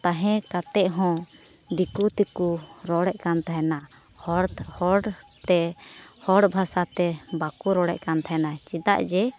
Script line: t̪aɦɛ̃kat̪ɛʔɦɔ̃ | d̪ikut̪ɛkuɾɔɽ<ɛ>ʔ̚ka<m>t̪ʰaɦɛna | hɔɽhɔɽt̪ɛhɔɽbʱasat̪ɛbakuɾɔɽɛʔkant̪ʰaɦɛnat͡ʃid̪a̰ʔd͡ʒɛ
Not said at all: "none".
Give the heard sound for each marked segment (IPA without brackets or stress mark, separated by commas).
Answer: ɛ, n